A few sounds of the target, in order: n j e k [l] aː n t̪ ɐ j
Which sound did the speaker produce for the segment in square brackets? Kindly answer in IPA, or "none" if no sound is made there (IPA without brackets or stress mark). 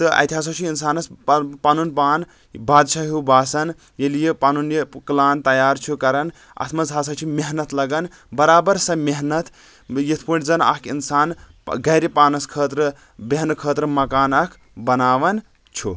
l